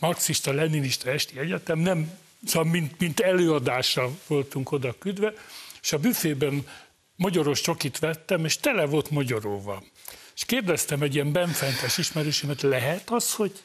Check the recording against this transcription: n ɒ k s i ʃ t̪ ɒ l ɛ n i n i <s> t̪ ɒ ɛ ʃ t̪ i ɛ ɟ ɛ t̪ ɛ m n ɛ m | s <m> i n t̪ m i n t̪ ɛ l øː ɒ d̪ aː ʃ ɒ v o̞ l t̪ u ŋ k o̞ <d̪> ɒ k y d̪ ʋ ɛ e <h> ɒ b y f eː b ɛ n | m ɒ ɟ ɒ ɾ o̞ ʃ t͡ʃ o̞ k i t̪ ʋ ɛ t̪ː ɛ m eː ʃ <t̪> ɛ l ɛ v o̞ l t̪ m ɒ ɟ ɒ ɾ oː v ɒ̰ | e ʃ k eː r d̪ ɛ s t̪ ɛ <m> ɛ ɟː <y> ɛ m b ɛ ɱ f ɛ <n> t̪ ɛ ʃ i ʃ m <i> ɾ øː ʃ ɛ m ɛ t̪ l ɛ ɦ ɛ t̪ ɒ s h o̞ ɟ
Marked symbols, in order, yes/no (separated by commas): no, yes, yes, no, yes, yes, no, yes, no